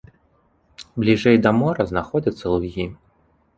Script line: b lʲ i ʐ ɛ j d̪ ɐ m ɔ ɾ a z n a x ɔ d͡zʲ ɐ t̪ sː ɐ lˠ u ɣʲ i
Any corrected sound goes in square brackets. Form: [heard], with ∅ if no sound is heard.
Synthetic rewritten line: b lʲ i ʐ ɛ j d̪ ɐ m ɔ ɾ [ɐ] z n a x ɔ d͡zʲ ɐ t̪ sː ɐ lˠ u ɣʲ i